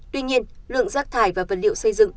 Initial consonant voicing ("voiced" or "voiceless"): voiceless